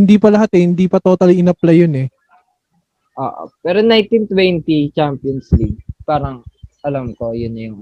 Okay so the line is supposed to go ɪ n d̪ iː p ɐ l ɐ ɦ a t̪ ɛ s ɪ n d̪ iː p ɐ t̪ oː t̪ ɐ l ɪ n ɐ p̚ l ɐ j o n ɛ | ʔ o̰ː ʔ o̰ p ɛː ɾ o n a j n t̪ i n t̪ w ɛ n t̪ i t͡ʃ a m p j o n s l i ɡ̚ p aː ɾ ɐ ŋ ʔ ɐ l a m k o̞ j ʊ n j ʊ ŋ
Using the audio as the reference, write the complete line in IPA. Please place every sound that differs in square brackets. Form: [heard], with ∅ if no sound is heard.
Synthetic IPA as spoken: ɪ n d̪ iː p ɐ l ɐ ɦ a t̪ ɛ [h] ɪ n d̪ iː p ɐ t̪ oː t̪ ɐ l ɪ n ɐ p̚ l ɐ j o n ɛ | ʔ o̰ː ʔ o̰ p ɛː ɾ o n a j n t̪ i n t̪ w ɛ n t̪ i t͡ʃ a m p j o n s l i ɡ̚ p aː ɾ ɐ ŋ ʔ ɐ l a m k o̞ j ʊ n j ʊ ŋ